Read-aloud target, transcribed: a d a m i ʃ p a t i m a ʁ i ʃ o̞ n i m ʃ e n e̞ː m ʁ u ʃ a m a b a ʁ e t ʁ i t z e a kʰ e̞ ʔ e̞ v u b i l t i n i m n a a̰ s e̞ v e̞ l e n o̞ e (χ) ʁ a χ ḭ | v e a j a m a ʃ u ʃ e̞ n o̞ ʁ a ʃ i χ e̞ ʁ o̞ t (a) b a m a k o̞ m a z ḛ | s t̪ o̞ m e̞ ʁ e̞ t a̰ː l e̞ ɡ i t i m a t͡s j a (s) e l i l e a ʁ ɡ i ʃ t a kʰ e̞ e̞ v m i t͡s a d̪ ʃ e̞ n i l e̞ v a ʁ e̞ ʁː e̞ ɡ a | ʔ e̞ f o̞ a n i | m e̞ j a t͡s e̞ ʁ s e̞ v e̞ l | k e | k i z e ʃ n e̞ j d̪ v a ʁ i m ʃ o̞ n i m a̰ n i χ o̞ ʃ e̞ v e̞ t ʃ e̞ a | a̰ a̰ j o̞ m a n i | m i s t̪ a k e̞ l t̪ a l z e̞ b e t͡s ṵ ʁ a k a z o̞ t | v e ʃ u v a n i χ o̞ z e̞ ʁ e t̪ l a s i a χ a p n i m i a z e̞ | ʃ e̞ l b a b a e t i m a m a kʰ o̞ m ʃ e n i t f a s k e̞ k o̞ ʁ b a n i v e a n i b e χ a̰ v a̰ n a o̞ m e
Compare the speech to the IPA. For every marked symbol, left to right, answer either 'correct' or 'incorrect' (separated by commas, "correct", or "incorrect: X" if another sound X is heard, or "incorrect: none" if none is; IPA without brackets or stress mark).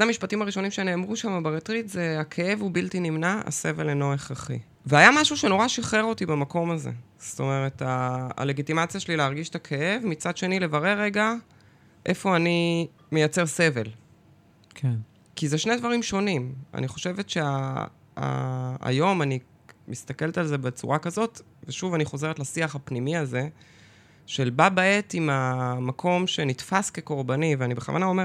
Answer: correct, incorrect: i, incorrect: ʃ